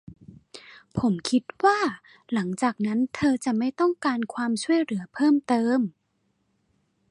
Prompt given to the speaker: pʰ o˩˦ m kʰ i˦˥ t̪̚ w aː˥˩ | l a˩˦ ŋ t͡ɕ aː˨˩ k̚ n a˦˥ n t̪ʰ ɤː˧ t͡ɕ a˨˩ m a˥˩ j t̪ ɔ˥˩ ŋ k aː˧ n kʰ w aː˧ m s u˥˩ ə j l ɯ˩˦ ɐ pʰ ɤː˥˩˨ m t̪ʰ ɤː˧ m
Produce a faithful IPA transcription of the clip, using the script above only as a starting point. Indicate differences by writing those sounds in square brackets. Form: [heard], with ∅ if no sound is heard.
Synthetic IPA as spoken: pʰ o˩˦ m kʰ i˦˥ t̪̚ w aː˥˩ | l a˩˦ ŋ t͡ɕ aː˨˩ k̚ n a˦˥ n t̪ʰ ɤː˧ t͡ɕ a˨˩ m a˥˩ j t̪ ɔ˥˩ ŋ k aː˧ n kʰ w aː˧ m s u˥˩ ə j l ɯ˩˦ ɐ pʰ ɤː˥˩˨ m [t̪] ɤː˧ m

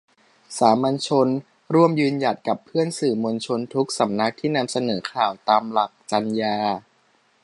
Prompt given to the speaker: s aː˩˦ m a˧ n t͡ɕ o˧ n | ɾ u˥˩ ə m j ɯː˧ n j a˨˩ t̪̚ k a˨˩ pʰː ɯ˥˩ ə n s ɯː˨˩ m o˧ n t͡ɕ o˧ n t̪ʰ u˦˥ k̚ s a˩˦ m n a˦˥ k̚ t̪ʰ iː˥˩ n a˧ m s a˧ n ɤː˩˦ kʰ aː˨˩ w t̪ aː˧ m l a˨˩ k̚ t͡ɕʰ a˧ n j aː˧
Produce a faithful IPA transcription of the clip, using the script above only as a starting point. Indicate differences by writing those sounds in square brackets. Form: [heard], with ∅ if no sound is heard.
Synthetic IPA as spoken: s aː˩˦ m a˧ n [t͡ɕʰ] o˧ n | ɾ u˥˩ ə m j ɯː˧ n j a˨˩ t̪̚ k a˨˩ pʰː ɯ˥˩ ə n s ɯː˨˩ m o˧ n [t͡ɕʰ] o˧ n t̪ʰ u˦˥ k̚ s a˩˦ m n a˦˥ k̚ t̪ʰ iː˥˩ n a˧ m s a˧ n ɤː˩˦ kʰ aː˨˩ w t̪ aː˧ m l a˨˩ k̚ [t͡ɕ] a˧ n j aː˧

